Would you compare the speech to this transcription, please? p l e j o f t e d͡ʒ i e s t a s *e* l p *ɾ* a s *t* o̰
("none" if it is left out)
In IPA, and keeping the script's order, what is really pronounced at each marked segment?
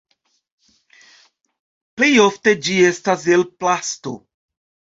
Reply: e, l, t

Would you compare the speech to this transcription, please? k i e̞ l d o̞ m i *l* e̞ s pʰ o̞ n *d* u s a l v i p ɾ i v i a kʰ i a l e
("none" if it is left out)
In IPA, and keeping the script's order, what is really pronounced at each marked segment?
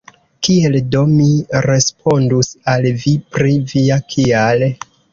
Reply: ɾ, d

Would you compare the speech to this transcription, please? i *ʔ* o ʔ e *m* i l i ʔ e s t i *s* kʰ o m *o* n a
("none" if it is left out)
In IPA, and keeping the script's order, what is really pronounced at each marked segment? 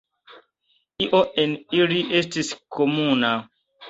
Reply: ʔ, n, s, u

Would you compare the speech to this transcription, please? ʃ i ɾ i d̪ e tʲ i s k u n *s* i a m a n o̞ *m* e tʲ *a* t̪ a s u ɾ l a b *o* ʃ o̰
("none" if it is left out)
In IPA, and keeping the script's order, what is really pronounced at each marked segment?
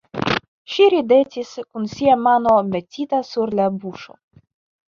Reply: s, m, i, u

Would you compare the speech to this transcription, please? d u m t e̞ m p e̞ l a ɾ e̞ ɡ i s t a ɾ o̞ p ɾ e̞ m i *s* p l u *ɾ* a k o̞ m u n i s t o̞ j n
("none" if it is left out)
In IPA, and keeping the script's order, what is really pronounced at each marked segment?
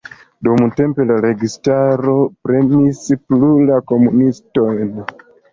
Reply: s, l

